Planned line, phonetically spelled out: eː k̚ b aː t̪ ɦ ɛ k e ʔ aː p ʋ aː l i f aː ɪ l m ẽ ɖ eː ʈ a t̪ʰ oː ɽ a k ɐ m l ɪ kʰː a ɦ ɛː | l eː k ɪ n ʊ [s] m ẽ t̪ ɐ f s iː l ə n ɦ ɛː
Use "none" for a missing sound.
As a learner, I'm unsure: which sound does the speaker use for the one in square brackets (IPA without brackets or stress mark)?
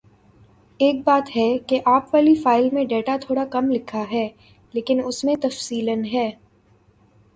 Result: s